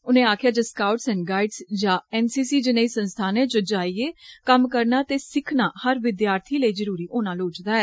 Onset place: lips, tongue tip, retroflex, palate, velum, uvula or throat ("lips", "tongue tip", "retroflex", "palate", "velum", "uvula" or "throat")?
tongue tip